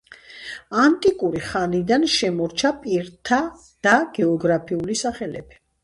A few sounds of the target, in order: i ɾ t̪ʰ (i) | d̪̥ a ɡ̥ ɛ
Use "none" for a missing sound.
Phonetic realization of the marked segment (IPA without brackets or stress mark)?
a